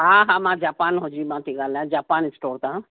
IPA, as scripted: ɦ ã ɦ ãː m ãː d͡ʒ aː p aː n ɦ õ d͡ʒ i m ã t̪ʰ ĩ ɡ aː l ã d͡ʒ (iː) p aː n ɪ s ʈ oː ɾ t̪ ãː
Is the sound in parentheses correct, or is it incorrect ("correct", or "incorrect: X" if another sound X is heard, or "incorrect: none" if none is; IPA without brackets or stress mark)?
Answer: incorrect: aː